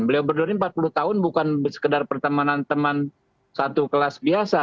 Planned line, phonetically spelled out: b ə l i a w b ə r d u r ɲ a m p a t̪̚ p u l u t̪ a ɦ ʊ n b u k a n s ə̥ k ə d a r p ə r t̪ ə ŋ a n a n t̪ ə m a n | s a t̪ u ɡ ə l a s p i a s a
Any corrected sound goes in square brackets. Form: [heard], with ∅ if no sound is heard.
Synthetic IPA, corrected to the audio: b ə l i a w b ə r d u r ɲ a m p a t̪̚ p u l u t̪ a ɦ ʊ n b u k a n s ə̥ k ə d a r p ə r t̪ ə [m] a n a n t̪ ə m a n | s a t̪ u [k] ə l a s [b] i a s a